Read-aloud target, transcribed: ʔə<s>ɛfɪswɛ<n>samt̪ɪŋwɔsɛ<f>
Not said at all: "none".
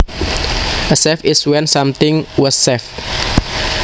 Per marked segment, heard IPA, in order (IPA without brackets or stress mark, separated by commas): s, n, f